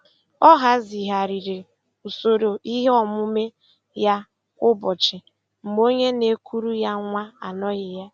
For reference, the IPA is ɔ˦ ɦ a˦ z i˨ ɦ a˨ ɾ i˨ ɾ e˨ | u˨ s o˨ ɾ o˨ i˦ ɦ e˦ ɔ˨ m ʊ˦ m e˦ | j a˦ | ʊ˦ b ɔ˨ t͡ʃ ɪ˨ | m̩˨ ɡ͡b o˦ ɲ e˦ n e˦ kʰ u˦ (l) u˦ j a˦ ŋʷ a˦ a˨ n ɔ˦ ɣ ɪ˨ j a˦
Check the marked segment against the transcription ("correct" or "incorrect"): incorrect